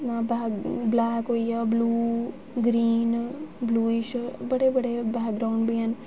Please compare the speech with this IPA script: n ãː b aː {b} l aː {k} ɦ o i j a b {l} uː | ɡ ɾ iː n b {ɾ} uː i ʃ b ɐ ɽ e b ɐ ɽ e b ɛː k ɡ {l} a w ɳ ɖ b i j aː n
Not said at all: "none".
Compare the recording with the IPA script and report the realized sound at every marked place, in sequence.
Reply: b, k, l, l, ɾ

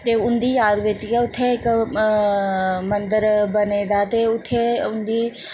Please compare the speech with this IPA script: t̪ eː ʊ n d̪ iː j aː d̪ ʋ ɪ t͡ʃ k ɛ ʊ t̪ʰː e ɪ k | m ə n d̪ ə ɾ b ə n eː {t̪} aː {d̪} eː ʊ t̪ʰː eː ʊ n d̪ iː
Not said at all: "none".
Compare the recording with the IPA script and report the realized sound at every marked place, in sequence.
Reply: d̪, t̪

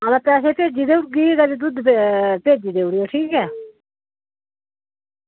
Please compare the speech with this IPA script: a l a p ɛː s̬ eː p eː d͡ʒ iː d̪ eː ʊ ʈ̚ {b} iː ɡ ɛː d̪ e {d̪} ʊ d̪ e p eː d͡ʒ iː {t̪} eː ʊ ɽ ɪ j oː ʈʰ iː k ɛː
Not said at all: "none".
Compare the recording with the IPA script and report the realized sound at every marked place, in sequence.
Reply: ɡ, d̪, d̪

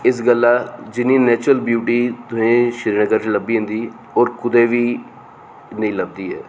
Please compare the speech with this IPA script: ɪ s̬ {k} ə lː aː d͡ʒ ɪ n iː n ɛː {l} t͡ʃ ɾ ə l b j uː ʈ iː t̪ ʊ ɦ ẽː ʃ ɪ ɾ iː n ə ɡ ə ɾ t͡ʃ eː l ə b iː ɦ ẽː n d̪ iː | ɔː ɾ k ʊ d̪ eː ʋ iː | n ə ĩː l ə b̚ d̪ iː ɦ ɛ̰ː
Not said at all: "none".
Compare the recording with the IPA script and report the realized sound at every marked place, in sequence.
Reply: ɡ, none

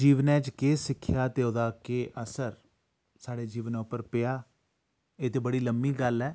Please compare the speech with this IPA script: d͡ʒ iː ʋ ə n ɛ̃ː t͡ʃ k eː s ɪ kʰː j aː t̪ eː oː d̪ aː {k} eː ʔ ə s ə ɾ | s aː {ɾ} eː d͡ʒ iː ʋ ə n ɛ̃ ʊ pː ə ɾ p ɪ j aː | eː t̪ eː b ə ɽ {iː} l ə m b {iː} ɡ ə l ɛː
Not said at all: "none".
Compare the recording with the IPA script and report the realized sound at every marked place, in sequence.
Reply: k, ɽ, iː, iː

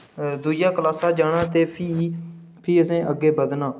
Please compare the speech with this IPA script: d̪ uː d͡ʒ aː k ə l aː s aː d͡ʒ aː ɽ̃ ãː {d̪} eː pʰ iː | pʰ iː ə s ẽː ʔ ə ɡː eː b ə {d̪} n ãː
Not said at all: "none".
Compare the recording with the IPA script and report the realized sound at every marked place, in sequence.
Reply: t̪, d̪

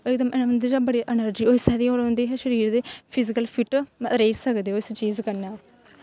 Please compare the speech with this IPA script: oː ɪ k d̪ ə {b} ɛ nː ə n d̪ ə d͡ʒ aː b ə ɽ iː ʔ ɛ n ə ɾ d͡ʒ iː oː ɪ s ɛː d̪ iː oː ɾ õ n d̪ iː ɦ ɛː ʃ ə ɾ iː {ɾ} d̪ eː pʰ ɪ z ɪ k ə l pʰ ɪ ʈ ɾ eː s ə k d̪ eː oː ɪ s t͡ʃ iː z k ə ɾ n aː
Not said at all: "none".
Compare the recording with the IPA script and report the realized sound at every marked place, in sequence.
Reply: m, ɾ

